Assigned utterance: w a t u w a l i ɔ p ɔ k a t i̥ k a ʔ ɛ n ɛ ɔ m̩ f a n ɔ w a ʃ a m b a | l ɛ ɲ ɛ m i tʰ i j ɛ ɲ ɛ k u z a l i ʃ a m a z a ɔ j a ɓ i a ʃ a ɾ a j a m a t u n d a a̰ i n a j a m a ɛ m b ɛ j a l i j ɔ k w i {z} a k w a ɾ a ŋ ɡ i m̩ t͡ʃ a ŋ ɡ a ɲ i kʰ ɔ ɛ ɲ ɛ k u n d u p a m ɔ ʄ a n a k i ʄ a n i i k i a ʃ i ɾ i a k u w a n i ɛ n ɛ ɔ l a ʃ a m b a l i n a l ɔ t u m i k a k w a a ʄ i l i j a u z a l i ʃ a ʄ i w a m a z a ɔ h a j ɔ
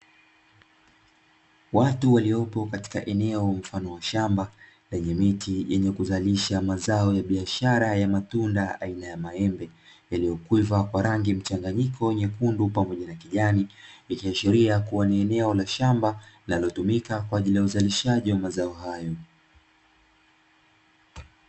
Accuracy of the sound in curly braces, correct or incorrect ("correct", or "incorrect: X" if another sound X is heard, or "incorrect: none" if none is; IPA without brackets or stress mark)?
incorrect: v